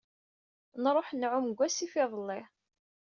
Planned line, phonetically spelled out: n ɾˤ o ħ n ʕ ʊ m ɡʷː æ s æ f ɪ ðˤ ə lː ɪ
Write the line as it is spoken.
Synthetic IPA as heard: n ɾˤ o ħ n ʕ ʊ m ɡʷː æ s i f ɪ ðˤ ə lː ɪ